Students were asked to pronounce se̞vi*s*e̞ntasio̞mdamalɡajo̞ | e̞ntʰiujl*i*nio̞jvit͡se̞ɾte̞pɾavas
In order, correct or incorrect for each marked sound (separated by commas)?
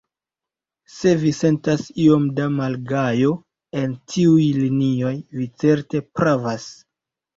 correct, correct